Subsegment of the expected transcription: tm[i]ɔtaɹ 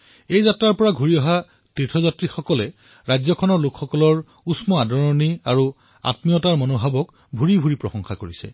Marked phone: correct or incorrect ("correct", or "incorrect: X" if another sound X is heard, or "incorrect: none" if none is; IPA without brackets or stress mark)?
correct